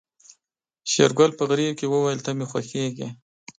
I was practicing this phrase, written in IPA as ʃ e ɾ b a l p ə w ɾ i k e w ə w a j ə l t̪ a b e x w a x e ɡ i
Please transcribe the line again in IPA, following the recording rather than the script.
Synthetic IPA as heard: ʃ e ɾ ɡ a l p ə ɣ ɾ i k e w ə w a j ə l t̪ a m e x w a x e ɡ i